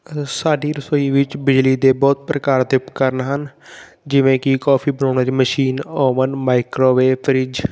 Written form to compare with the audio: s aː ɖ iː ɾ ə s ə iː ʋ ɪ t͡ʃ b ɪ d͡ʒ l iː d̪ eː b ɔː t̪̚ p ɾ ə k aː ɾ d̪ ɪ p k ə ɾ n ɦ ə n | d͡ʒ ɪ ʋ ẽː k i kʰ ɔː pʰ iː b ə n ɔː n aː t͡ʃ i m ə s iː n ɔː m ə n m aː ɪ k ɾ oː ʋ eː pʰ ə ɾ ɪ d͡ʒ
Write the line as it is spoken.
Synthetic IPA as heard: s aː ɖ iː ɾ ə s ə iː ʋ ɪ t͡ʃ b ɪ d͡ʒ l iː d̪ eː b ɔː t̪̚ p ɾ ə k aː ɾ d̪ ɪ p k ə ɾ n ɦ ə n | d͡ʒ ɪ ʋ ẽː k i k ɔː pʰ iː b ə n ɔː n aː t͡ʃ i m ə ʃ iː n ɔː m ə n m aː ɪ k ɾ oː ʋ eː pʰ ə ɾ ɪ d͡ʒ